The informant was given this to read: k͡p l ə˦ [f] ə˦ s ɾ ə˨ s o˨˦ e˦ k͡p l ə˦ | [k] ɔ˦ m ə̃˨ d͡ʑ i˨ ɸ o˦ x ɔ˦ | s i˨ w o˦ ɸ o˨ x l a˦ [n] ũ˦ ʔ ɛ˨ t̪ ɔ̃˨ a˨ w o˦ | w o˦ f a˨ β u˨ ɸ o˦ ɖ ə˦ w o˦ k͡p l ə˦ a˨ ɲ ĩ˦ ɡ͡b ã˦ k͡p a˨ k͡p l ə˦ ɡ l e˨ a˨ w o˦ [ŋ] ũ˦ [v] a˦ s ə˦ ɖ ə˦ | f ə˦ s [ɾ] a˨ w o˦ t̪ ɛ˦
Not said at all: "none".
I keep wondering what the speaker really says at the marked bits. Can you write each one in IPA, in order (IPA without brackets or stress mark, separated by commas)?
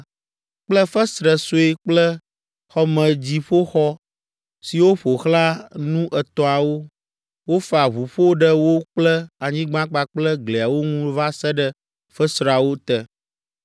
f, x, n, ŋ, v, ɾ